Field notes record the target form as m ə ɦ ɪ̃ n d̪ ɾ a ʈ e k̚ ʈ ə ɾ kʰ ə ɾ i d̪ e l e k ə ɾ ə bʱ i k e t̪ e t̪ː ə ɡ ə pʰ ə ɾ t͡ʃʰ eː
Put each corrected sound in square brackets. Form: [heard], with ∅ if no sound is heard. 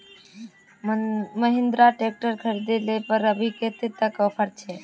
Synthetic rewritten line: m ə ɦ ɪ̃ n d̪ ɾ a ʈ e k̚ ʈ ə ɾ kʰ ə ɾ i d̪ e l e [p] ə ɾ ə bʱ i k e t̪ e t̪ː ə [k] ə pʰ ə ɾ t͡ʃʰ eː